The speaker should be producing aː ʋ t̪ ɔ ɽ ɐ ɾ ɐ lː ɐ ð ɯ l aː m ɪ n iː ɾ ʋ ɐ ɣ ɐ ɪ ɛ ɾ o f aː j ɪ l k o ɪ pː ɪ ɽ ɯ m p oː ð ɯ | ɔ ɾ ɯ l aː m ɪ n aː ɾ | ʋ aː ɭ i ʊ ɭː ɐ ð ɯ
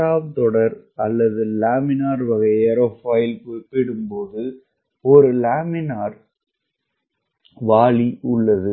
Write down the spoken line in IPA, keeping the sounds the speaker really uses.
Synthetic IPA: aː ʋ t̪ ɔ ɽ ɐ ɾ ɐ lː ɐ ð ɯ l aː m ɪ n aː ɾ ʋ ɐ ɣ ɐ ɪ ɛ ɾ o f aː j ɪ l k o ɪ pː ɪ ɽ ɯ m p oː ð ɯ | ɔ ɾ ɯ l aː m ɪ n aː ɾ | ʋ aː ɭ i ʊ ɭː ɐ ð ɯ